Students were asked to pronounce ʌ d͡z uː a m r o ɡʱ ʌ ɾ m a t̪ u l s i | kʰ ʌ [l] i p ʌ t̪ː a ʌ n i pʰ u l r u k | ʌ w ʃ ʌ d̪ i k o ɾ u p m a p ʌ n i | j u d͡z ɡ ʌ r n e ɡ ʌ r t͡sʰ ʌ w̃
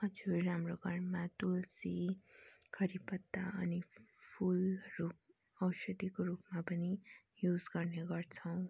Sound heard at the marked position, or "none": ɾ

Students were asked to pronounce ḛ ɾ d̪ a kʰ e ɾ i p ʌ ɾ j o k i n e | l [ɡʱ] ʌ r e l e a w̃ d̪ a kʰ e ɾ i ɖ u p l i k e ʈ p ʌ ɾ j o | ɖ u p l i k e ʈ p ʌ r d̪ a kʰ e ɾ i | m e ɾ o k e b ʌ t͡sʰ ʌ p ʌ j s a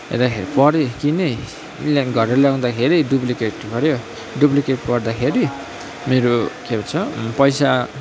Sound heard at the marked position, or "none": ɡʱ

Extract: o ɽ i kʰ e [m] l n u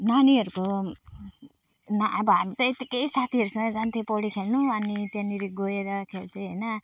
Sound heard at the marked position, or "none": none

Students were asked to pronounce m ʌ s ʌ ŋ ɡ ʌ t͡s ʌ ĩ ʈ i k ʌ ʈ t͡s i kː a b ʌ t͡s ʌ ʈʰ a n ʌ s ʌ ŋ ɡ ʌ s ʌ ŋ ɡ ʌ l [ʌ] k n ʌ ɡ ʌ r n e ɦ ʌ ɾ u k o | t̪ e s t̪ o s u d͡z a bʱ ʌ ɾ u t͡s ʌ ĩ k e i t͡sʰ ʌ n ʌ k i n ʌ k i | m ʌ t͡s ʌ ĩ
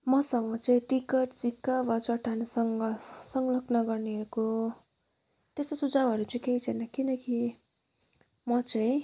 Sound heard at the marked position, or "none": ʌ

